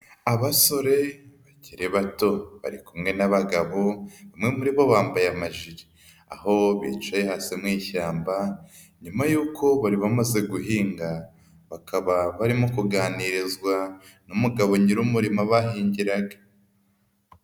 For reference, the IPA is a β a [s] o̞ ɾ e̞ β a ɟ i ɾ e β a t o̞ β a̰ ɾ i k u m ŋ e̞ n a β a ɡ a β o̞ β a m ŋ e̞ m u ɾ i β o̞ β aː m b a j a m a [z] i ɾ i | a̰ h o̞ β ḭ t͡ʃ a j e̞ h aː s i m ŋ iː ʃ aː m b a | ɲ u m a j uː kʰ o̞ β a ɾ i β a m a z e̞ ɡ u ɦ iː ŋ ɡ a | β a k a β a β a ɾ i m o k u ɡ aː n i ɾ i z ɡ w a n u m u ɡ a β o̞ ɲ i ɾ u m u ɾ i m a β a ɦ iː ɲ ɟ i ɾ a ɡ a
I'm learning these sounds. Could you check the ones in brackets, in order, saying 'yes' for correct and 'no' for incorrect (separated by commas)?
yes, no